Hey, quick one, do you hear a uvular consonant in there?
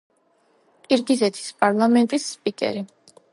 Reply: no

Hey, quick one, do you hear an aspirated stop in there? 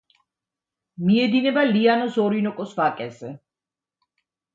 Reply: no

